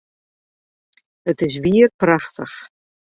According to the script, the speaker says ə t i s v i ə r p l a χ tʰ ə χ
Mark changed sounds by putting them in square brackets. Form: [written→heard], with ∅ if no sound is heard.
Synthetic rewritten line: ə t [i→ɪ] s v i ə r p [l→r] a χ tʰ ə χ